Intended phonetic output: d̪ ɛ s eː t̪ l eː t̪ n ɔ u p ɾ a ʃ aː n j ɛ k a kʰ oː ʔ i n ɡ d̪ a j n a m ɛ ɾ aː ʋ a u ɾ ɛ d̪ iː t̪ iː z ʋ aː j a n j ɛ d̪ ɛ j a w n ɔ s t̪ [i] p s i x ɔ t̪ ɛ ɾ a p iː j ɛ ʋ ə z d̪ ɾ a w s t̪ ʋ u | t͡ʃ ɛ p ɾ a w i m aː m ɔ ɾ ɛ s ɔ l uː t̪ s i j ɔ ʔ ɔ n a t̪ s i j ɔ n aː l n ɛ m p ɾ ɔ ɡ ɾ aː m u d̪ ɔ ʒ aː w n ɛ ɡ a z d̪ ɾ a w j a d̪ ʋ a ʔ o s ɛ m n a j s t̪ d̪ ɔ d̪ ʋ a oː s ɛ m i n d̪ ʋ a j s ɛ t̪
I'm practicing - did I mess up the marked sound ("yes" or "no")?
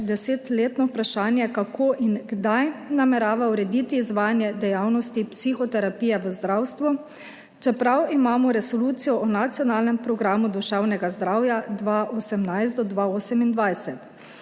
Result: no